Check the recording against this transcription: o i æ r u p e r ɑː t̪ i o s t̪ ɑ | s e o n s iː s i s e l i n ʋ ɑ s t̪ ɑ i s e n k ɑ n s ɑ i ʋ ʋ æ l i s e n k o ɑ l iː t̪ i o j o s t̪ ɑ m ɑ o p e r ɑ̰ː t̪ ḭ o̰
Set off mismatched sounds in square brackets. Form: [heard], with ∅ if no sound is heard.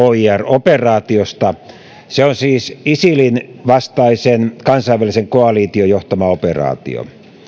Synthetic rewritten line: o i æ r [o] p e r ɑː t̪ i o s t̪ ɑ | s e o n s iː s i s [i] l i n ʋ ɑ s t̪ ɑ i s e n k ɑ n s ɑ i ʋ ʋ æ l i s e [ŋ] k o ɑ l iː t̪ i o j o [h] t̪ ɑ m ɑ o p e r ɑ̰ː t̪ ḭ o̰